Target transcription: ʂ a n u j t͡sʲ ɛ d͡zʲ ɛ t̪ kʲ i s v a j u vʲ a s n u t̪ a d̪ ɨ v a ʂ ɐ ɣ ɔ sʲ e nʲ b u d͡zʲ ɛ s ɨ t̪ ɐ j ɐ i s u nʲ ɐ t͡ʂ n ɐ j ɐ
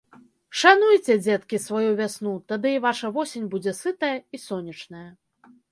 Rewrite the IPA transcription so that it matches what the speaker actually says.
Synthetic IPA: ʂ a n u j t͡sʲ ɛ d͡zʲ ɛ t̪ kʲ i s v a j u vʲ a s n u t̪ a d̪ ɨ v a ʂ ɐ v ɔ sʲ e nʲ b u d͡zʲ ɛ s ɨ t̪ ɐ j ɐ i s ɔ nʲ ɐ t͡ʂ n ɐ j ɐ